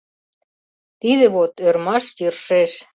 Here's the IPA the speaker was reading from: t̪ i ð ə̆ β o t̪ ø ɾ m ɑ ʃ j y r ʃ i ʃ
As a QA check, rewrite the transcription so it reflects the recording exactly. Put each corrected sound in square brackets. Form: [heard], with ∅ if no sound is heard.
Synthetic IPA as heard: t̪ i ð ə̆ β o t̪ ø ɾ m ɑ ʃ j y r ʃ [e] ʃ